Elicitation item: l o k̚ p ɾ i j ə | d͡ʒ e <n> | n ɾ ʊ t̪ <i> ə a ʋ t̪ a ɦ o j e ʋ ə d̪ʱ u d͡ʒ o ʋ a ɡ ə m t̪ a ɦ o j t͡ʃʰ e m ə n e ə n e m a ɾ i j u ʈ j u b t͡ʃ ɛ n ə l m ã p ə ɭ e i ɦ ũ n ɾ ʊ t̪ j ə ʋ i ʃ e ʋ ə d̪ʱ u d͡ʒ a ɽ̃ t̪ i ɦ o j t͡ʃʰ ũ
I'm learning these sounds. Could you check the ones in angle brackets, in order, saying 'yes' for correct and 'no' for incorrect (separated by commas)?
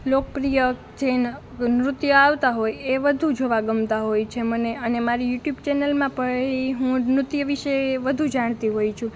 yes, no